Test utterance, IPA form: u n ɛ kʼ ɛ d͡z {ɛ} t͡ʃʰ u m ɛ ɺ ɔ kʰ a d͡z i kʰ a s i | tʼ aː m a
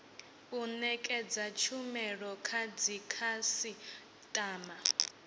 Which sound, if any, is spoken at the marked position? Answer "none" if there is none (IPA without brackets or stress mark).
a